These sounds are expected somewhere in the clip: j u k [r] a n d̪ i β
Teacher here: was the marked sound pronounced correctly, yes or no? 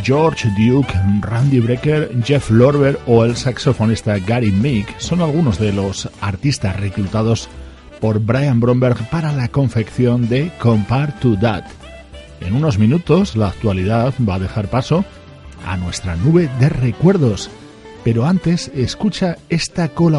yes